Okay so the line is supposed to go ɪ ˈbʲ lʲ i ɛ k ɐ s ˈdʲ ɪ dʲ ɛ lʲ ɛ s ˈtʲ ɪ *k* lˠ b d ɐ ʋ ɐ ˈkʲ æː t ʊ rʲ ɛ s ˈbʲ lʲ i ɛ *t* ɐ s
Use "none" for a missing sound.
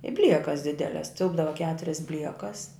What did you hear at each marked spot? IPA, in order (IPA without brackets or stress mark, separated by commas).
none, k